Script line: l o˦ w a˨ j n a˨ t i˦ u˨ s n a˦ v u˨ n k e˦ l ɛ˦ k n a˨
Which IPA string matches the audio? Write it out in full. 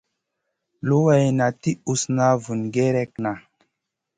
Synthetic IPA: l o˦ w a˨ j n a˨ t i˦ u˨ s n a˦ v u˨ n ɡ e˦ ɾ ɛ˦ k n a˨